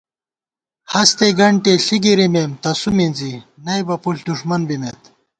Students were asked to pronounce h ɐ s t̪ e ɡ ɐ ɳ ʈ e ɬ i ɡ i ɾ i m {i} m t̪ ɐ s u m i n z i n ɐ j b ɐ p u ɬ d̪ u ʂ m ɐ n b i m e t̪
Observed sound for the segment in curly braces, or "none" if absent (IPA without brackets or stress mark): e